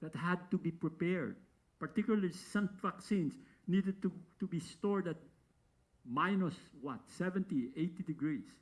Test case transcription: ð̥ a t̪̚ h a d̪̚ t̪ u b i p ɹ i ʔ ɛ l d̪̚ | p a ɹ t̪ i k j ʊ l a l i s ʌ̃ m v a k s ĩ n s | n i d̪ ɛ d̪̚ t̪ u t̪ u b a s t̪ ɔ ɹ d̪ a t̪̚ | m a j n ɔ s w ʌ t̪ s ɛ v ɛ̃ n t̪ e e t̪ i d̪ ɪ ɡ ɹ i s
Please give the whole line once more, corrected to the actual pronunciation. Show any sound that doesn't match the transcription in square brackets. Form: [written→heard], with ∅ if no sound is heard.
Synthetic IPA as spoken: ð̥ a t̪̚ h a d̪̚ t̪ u b i p ɹ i [ʔ→p] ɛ [l→ɹ] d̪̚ | p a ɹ t̪ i k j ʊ l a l i s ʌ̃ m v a k s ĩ n s | n i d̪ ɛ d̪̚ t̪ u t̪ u b [a→i] s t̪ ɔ ɹ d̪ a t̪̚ | m a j n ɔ s w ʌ t̪ s ɛ v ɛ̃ n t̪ [e→i] e t̪ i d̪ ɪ ɡ ɹ i s

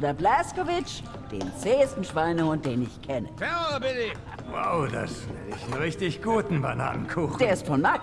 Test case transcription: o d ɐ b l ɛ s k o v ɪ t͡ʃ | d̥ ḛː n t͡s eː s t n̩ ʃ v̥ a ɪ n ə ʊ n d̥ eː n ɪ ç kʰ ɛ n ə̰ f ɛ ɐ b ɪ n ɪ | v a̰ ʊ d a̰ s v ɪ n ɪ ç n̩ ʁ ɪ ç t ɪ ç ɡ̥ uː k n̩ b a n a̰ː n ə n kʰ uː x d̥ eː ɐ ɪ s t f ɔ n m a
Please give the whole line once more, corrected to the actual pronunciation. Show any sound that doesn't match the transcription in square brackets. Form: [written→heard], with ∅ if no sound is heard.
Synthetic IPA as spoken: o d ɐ b l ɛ s k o v ɪ t͡ʃ | d̥ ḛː n t͡s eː s t n̩ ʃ v̥ a ɪ n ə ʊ n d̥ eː n ɪ ç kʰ ɛ n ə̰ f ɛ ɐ b ɪ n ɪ | [v→w] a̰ ʊ d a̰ s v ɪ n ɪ ç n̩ ʁ ɪ ç t ɪ ç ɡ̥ uː [k→t] n̩ b a n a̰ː n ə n kʰ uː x d̥ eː ɐ ɪ s t f ɔ n m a

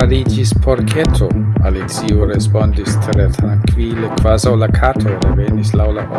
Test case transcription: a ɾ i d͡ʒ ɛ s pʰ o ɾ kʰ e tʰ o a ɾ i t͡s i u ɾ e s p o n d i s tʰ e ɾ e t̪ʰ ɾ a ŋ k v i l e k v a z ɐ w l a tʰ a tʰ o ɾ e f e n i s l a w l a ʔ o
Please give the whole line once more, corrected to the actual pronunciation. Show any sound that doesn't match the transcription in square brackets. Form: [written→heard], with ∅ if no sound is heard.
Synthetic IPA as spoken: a ɾ i d͡ʒ [ɛ→i] s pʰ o ɾ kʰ e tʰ o a [ɾ→l] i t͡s i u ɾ e s p o n d i s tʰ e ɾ e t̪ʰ ɾ a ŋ k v i l e k v a z [ɐ→a] w l a [tʰ→kʰ] a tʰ o ɾ e [f→v] e n i s l a w l a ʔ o

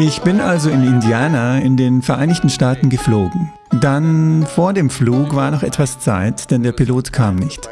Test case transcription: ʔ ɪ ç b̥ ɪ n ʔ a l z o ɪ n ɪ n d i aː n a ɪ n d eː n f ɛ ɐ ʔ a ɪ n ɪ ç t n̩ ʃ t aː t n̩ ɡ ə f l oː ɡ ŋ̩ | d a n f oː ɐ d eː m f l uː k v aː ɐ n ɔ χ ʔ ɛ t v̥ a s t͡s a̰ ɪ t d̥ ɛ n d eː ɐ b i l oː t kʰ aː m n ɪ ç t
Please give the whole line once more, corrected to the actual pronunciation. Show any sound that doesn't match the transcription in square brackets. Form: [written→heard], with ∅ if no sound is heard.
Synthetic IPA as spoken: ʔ ɪ ç b̥ ɪ n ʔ a l z o ɪ n ɪ n d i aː n a ɪ n d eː n f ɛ ɐ ʔ a ɪ n ɪ ç t n̩ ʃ t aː t n̩ ɡ ə f l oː ɡ ŋ̩ | d a n f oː ɐ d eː m f l uː k v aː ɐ n ɔ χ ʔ ɛ t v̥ a s t͡s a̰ ɪ t d̥ ɛ n d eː ɐ [b→p] i l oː t kʰ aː m n ɪ ç t

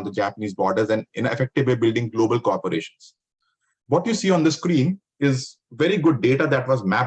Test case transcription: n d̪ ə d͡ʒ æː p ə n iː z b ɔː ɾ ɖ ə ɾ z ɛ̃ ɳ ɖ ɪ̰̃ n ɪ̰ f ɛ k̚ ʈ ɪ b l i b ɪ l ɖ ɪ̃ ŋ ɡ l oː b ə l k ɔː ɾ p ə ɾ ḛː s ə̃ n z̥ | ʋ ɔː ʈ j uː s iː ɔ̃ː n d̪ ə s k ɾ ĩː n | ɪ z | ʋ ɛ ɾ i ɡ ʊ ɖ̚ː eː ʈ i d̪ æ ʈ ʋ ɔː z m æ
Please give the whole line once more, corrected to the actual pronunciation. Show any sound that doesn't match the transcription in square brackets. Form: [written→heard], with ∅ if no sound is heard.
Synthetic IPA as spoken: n d̪ ə d͡ʒ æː p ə n iː z b ɔː ɾ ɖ ə ɾ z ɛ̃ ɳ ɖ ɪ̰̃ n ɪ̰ f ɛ k̚ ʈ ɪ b l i b ɪ l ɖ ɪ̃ ŋ ɡ l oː b ə l k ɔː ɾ p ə ɾ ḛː [s→ʃ] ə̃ n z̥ | ʋ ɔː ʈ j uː s iː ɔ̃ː n d̪ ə s k ɾ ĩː n | ɪ z | ʋ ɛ ɾ i ɡ ʊ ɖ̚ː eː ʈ [i→a] d̪ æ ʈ ʋ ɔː z m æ

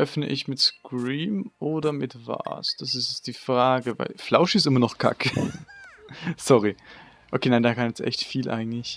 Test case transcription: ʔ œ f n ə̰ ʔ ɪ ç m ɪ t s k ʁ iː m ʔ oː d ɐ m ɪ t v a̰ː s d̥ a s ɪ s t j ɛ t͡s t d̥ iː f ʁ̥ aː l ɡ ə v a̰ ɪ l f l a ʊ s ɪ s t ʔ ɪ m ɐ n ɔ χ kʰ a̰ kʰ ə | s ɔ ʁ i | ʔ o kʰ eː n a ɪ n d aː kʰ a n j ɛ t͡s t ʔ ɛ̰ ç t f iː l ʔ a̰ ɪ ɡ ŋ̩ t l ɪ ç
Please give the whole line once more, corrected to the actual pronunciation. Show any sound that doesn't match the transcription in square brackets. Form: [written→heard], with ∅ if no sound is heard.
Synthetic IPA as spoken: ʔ œ f n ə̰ ʔ ɪ ç m ɪ t s k ʁ iː m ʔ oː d ɐ m ɪ t v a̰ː s d̥ a s ɪ s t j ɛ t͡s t d̥ iː f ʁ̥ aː [l→∅] ɡ ə v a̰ ɪ l f l a ʊ [s→ʃ] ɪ s t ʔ ɪ m ɐ n ɔ χ kʰ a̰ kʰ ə | s ɔ ʁ i | ʔ o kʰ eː n a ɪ n d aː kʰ a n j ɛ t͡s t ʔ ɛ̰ ç t f iː l ʔ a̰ ɪ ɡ ŋ̩ t l ɪ ç

